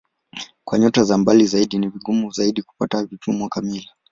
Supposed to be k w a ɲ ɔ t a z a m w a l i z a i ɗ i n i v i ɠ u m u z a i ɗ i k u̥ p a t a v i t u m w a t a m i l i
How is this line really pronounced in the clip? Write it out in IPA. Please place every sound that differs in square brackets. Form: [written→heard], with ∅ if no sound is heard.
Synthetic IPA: k w a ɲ ɔ t a z a m [w→b] a l i z a i ɗ i n i v i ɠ u m u z a i ɗ i k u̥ p a t a v i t u m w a [t→k] a m i l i